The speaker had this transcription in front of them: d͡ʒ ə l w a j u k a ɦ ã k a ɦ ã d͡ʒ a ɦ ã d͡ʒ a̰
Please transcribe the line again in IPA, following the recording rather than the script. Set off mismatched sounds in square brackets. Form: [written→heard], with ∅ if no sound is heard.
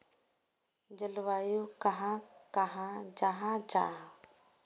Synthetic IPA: d͡ʒ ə l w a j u k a ɦ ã k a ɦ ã d͡ʒ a ɦ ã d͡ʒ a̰